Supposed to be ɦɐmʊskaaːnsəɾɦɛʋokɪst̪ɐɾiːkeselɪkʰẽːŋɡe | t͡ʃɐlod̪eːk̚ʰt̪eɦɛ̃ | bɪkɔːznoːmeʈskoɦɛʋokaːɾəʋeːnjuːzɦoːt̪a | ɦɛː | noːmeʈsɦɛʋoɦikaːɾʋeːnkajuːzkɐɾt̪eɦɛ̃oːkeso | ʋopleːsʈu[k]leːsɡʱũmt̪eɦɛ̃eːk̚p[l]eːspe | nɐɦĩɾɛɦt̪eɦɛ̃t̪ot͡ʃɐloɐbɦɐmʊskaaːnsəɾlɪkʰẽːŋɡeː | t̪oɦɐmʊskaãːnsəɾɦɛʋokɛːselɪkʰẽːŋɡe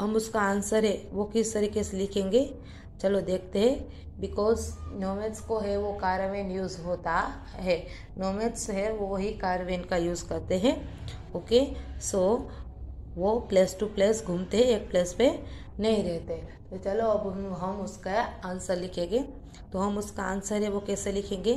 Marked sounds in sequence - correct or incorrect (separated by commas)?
incorrect, correct